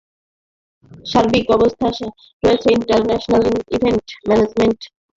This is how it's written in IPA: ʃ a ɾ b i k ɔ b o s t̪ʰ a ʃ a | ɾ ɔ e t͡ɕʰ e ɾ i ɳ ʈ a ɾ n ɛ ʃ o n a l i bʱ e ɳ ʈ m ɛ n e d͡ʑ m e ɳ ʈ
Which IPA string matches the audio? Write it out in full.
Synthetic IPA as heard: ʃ a ɾ b i k ɔ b o s t̪ʰ a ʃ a | ɾ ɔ e t͡ɕʰ e i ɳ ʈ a ɾ n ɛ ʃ o n a l i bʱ e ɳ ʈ m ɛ n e d͡ʑ m e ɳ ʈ